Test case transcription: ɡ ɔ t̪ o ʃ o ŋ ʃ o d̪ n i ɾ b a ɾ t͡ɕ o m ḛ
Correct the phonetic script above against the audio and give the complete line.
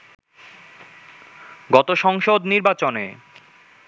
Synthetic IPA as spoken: ɡ ɔ t̪ o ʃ ɔ ŋ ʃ o d̪ n i ɾ b a t͡ɕ o n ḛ